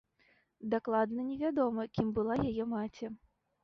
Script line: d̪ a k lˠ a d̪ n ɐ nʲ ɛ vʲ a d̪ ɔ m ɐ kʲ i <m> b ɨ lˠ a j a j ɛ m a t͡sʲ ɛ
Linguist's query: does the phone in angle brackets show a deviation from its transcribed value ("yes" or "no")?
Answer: no